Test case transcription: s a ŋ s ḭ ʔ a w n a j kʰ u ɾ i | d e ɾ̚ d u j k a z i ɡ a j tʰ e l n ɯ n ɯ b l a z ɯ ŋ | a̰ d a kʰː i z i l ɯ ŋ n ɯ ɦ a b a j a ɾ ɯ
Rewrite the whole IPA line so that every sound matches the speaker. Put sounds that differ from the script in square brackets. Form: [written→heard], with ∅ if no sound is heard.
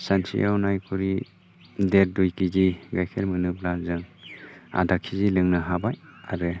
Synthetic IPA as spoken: s a [ŋ→n] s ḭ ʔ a w n a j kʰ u ɾ i | d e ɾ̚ d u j k [a→i] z i ɡ a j [tʰ→kʰ] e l [n→m] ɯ n ɯ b l a z ɯ ŋ | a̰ d a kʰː i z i l ɯ ŋ n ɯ ɦ a b a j a ɾ ɯ

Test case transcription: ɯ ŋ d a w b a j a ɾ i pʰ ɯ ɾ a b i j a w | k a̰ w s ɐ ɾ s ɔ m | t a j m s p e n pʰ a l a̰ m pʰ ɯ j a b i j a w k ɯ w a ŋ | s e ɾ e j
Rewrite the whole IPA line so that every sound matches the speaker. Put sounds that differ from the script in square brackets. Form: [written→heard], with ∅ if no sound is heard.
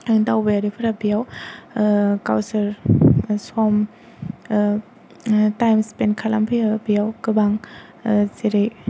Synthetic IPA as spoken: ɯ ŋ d a w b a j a ɾ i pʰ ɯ ɾ a b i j a w | k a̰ w s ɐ ɾ s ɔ m | t a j m s p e n [pʰ→kʰ] a l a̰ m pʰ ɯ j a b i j a w k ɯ [w→b] a ŋ | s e ɾ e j

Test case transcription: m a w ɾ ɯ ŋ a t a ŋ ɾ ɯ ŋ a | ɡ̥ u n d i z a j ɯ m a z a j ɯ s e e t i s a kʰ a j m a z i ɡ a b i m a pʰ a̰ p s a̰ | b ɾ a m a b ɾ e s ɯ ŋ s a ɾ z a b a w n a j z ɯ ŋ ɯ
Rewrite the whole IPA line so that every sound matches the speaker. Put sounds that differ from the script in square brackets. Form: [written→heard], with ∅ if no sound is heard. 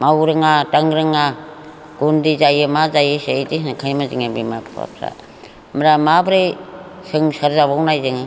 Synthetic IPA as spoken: m a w ɾ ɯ ŋ a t a ŋ ɾ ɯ ŋ a | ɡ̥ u n d i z a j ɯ m a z a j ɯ s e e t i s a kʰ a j m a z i [ɡ→ŋ] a b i m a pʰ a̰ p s a̰ | [b→m] ɾ a m a b ɾ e s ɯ ŋ s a ɾ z a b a w n a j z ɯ ŋ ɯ

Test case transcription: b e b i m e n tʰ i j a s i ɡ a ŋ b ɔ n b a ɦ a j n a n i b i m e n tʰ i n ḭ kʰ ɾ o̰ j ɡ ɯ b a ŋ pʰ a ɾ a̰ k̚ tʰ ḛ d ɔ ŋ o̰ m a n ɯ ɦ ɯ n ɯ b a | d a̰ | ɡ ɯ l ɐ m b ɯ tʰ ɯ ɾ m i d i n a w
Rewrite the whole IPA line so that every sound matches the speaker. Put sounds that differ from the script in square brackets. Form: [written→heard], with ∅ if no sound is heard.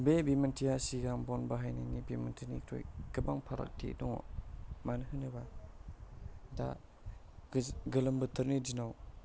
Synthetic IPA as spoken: b e b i m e n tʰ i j a s i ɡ a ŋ b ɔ n b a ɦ a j n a n i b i m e n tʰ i n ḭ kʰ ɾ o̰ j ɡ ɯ b a ŋ pʰ a ɾ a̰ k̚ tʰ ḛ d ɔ ŋ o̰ m a n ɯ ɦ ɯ n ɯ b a | d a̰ | ɡ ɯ l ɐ m b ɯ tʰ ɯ ɾ [m→n] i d i n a w

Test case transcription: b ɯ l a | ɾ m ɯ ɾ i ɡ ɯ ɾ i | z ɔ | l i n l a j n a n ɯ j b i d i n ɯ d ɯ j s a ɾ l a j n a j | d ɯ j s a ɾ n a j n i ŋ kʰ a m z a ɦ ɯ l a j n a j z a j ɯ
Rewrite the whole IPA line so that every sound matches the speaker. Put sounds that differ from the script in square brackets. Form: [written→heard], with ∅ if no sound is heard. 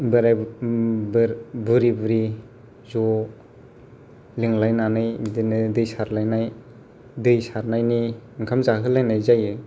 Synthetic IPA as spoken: b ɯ [l→ɾ] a | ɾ [m→b] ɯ ɾ i [ɡ→b] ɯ ɾ i | z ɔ | l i [n→ŋ] l a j n a n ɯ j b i d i n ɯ d ɯ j s a ɾ l a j n a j | d ɯ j s a ɾ n a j n i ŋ kʰ a m z a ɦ ɯ l a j n a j z a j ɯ

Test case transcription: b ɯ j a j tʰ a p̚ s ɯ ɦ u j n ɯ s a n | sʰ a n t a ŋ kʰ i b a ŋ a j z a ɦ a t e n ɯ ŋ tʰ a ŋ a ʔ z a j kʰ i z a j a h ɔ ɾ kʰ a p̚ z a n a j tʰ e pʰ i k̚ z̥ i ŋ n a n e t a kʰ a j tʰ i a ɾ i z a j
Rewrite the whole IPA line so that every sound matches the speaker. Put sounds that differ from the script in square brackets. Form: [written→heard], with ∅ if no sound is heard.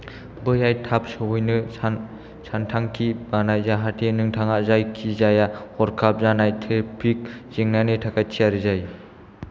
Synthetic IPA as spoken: b ɯ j a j tʰ a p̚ s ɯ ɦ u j n ɯ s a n | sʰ a n [t→tʰ] a ŋ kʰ i b a [ŋ→n] a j z a ɦ a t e n ɯ ŋ tʰ a ŋ a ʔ z a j kʰ i z a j a h ɔ ɾ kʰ a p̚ z a n a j tʰ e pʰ i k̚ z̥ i ŋ n a n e [t→tʰ] a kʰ a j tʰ i a ɾ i z a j

